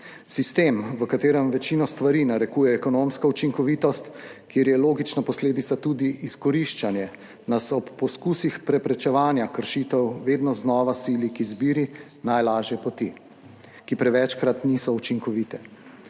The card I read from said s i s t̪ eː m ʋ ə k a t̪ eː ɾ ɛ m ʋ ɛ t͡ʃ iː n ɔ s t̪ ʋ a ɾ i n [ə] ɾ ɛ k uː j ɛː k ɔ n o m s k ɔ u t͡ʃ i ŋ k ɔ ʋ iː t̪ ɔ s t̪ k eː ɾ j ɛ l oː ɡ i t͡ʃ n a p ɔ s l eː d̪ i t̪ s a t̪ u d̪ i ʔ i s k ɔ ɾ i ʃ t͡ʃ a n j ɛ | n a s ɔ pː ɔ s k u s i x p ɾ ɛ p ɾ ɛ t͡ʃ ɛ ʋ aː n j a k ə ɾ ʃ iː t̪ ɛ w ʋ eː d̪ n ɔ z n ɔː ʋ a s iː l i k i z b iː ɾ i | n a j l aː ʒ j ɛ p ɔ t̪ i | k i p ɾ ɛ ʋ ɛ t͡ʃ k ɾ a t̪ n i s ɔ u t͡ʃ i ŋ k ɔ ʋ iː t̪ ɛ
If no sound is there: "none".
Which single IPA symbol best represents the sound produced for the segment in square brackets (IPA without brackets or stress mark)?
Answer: a